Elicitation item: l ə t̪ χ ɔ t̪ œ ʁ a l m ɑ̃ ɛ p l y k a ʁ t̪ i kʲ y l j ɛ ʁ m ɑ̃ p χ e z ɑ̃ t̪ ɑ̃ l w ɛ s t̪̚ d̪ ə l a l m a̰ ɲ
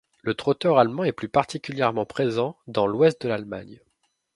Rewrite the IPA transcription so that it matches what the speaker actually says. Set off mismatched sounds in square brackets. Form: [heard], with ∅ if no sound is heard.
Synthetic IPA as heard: l ə t̪ χ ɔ t̪ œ ʁ a l m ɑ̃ ɛ p l y [p] a ʁ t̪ i kʲ y l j ɛ ʁ m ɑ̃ p χ e z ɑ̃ [d̪] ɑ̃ l w ɛ s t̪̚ d̪ ə l a l m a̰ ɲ

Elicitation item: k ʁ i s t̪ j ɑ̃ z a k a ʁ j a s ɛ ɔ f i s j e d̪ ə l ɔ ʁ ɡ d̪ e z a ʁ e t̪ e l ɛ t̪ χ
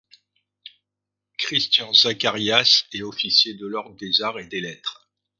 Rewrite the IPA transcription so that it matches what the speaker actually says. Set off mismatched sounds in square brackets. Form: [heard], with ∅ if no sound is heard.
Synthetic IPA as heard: k [χ] i s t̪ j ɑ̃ z a k a ʁ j a s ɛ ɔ f i s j e d̪ ə l ɔ ʁ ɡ d̪ e z a ʁ e [d̪] e l ɛ t̪ χ

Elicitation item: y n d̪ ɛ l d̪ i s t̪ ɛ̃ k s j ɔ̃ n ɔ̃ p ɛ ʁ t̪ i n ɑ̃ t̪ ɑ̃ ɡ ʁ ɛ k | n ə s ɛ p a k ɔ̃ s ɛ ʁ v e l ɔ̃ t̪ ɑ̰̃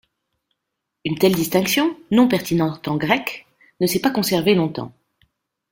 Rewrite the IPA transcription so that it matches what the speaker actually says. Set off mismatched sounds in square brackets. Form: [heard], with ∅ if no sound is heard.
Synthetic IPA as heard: y n [t̪] ɛ l d̪ i s t̪ ɛ̃ k s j ɔ̃ n ɔ̃ p ɛ ʁ t̪ i n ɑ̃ t̪ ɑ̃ ɡ ʁ ɛ k | n ə s ɛ p a k ɔ̃ s ɛ ʁ v e l ɔ̃ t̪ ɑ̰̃

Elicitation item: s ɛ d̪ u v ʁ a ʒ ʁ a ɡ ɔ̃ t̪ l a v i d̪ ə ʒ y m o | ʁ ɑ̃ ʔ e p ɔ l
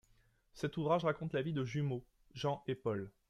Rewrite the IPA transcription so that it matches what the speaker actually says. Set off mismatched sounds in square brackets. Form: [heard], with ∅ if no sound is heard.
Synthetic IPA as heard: s ɛ [t̪] u v ʁ a ʒ ʁ a [k] ɔ̃ t̪ l a v i d̪ ə ʒ y m o | [ʒ] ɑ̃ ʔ e p ɔ l

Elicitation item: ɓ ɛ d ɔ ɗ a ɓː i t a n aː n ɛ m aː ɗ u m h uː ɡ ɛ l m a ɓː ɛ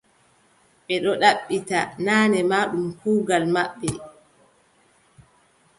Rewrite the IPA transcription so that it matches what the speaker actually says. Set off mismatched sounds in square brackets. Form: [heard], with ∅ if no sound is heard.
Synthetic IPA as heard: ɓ ɛ [ɗ] ɔ ɗ a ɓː i t a n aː n ɛ m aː ɗ u m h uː ɡ [a] l m a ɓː ɛ

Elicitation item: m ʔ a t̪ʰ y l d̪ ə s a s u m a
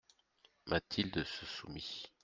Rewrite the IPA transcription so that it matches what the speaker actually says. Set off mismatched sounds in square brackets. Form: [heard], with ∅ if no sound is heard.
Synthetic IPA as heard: m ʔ a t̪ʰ [i] l d̪ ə s [ə] s u m [i]

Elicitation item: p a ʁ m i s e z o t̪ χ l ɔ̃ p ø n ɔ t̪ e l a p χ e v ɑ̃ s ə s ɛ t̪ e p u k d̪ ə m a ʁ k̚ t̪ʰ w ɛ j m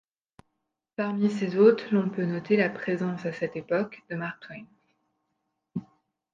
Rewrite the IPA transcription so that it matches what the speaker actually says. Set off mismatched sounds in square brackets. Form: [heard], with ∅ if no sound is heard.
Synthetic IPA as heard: p a ʁ m i s e z o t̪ χ l ɔ̃ p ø n ɔ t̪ e l a p χ e [z] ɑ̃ s [a] s ɛ t̪ e p [ɔ] k d̪ ə m a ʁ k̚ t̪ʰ w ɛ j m

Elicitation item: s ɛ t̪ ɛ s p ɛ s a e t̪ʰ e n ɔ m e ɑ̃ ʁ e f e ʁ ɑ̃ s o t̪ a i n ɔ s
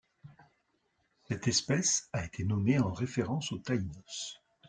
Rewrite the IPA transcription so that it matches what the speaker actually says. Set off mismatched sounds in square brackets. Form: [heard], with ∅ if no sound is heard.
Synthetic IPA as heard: s ɛ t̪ ɛ s p ɛ s a e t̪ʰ e n ɔ m e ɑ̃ ʁ e f e ʁ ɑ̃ s o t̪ a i n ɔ s

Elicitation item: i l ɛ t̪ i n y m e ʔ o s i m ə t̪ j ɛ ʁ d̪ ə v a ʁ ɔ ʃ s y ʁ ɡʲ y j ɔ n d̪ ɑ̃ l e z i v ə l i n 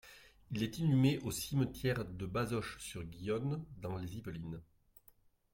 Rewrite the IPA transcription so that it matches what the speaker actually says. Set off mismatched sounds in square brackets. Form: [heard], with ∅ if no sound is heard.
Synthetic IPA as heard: i l ɛ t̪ i n y m e ʔ o s i m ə t̪ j ɛ ʁ d̪ ə [b] a [z] ɔ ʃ s y ʁ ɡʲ [i] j ɔ n d̪ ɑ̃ l e z i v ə l i n

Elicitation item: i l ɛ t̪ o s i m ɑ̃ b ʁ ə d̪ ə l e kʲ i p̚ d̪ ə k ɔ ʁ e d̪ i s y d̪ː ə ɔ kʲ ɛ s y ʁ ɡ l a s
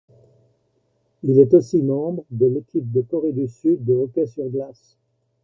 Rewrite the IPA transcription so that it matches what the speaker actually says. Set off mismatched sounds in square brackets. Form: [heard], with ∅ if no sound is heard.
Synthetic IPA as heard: i l ɛ t̪ o s i m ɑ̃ b ʁ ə d̪ ə l e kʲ i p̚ d̪ ə k ɔ ʁ e d̪ [y] s y d̪ː ə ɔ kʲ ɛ s y ʁ ɡ l a s

